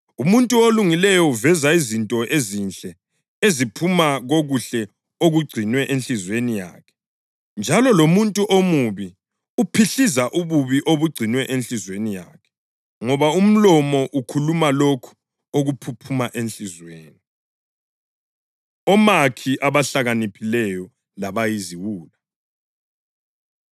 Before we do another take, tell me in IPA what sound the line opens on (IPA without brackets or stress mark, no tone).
u